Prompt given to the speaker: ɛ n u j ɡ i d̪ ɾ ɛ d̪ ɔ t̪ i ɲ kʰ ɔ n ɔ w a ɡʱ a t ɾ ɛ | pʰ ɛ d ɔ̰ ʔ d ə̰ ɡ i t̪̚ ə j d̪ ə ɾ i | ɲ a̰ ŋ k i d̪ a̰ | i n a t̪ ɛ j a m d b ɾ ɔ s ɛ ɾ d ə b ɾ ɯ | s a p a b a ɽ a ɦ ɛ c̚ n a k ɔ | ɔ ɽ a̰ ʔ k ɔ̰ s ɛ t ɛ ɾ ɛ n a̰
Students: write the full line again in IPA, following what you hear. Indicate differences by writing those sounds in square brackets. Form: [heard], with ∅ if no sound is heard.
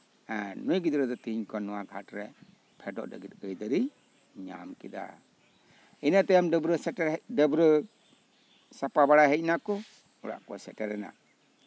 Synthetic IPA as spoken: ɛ n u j ɡ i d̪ ɾ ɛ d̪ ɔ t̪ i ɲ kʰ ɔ n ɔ w a ɡʱ a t ɾ ɛ | pʰ ɛ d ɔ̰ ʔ d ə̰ ɡ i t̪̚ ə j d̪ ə ɾ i | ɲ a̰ [m] k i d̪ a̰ | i n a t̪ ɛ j a m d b ɾ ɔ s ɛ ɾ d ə b ɾ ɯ | s a p a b a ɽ a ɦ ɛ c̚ n a k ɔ | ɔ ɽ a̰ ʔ k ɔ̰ s ɛ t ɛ ɾ ɛ n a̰